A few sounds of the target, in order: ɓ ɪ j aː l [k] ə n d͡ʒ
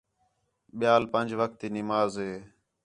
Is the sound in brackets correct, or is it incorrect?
incorrect